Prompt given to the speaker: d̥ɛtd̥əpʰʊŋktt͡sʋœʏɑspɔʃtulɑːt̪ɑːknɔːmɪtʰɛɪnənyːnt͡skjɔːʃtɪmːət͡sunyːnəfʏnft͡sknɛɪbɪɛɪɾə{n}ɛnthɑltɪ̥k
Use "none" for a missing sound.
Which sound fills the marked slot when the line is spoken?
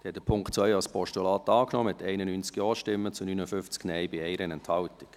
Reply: n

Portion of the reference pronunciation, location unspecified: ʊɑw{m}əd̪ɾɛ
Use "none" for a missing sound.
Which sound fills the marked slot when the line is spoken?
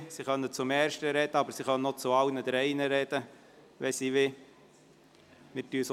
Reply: n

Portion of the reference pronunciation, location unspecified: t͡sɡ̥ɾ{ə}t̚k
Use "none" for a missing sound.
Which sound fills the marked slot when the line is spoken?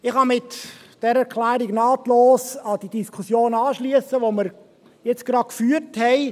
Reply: ɑ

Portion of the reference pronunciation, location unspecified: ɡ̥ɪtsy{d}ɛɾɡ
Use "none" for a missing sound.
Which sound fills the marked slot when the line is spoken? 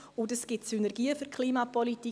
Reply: n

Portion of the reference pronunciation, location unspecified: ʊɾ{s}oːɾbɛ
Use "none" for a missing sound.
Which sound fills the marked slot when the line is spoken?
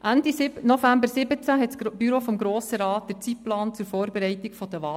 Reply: f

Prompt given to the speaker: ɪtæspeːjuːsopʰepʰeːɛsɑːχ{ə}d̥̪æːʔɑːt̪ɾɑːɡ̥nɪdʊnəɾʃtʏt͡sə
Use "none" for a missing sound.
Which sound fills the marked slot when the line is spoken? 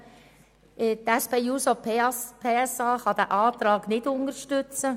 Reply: ɑ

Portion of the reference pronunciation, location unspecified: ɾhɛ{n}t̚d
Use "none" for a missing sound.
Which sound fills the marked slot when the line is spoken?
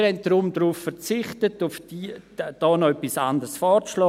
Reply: n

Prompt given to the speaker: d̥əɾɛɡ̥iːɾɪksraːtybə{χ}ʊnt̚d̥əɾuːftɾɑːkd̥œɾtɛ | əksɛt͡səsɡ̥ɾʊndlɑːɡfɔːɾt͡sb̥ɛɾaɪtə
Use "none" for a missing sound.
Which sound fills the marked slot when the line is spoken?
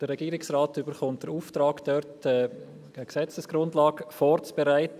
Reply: χ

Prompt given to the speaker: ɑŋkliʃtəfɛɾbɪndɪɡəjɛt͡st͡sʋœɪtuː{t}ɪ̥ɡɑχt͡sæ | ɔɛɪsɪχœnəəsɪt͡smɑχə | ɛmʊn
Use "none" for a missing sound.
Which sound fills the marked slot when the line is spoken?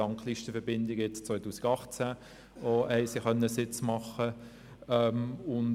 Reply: s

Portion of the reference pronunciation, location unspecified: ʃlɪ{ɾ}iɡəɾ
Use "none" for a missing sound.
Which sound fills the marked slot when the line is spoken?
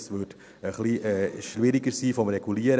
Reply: ɾ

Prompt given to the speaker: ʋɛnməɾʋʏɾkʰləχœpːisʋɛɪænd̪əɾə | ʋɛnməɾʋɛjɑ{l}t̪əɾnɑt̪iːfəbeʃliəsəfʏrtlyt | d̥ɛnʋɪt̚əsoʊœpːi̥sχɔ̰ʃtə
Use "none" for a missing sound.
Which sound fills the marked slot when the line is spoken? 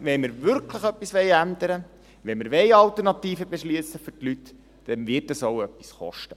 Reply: l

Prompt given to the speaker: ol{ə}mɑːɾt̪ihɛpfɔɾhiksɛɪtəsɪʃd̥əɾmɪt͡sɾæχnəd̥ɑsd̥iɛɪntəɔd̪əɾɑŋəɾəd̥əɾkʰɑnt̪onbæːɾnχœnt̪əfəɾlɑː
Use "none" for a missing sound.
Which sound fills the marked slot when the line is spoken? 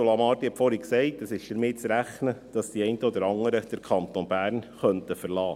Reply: ɑ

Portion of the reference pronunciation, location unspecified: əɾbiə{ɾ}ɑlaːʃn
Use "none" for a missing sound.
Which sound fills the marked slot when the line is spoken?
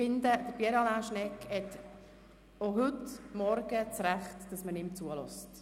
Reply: ɾ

